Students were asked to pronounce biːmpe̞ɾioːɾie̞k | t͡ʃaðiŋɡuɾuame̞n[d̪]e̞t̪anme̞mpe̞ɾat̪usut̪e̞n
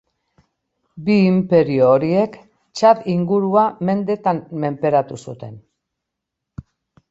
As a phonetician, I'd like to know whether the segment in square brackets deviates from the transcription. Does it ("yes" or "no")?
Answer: no